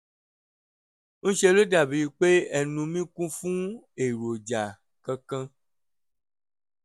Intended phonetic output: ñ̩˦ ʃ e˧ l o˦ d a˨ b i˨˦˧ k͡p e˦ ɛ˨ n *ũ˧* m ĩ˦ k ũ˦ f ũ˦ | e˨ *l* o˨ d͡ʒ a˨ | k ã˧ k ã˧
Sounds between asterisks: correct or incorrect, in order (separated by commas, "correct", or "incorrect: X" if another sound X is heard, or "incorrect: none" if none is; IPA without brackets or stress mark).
correct, incorrect: ɾ